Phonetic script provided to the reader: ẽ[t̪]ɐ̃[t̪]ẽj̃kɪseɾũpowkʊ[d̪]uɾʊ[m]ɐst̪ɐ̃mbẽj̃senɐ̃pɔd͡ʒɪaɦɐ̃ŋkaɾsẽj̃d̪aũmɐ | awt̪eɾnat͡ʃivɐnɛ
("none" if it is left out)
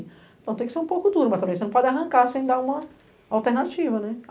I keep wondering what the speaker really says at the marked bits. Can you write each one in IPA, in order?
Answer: t̪, t̪, d̪, m

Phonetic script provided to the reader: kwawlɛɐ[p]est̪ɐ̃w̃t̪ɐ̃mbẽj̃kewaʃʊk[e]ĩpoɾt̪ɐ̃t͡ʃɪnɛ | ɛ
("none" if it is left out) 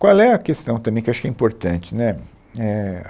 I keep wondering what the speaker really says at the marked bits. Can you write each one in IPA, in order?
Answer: k, ɛ

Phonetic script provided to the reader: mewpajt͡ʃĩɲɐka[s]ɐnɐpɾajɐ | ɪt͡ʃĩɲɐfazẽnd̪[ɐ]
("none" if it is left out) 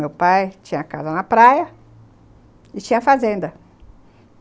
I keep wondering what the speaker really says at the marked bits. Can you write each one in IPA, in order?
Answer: z, ɐ

